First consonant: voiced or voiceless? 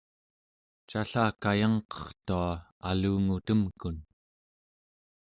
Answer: voiceless